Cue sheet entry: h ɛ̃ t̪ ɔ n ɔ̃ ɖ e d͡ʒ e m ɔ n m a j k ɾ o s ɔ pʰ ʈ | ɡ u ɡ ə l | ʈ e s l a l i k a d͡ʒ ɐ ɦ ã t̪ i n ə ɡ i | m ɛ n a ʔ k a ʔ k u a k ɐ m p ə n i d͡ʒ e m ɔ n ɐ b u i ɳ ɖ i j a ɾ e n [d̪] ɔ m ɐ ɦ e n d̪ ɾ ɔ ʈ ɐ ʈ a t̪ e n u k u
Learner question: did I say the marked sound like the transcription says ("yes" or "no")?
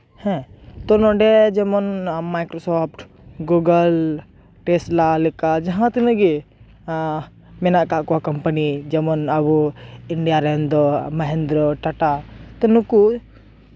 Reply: yes